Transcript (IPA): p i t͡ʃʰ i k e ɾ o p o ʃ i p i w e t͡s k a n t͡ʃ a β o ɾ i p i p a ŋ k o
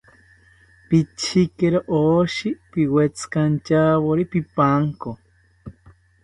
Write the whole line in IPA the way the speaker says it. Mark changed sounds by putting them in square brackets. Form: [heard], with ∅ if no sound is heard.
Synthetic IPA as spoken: p i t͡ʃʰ i k e ɾ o [ʔ] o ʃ i p i w e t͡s k a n t͡ʃ a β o ɾ i p i p a ŋ k o